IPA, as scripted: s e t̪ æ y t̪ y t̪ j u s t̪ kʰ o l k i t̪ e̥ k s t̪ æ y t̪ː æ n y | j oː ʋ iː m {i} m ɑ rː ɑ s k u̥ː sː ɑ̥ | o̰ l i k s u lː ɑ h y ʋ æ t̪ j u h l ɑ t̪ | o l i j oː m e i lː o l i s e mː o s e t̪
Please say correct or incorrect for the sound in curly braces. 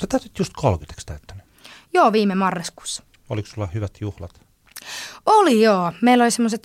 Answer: incorrect